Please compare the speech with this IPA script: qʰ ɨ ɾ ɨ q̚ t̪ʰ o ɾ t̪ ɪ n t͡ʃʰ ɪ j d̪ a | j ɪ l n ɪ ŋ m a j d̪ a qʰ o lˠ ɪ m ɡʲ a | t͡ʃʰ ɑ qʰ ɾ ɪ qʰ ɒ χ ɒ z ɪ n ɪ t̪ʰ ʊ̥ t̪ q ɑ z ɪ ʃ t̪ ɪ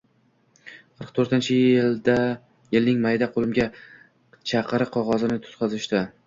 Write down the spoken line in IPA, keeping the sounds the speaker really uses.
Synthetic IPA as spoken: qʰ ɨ ɾ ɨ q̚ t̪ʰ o ɾ t̪ ɪ n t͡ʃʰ ɪ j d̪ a | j ɪ l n ɪ ŋ m a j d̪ a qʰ o lˠ ɪ m ɡʲ a | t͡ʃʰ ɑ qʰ ɾ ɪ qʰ ɒ ʁ ɒ z ɪ n ɪ t̪ʰ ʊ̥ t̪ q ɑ z ɪ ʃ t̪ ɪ